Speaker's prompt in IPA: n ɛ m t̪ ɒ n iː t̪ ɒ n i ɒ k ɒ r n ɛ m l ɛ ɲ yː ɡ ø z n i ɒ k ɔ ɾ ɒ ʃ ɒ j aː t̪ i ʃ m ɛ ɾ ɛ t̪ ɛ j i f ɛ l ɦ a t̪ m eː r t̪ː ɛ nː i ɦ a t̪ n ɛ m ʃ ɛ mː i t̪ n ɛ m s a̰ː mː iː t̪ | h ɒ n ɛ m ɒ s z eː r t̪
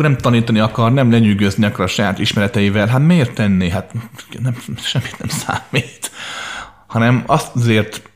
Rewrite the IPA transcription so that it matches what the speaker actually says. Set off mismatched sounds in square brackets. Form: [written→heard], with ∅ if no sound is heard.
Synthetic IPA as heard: n ɛ m t̪ ɒ n iː t̪ ɒ n i ɒ k ɒ r n ɛ m l ɛ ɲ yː ɡ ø z n i ɒ k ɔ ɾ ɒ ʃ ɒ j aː t̪ i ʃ m ɛ ɾ ɛ t̪ ɛ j i [f→v] ɛ l ɦ a t̪ m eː r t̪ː ɛ nː i ɦ a t̪ n ɛ m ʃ ɛ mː i t̪ n ɛ m s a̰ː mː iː t̪ | h ɒ n ɛ m ɒ s z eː r t̪